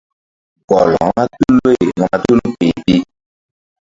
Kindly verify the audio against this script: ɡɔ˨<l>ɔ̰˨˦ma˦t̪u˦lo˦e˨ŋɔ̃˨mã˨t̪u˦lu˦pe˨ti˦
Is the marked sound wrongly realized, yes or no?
no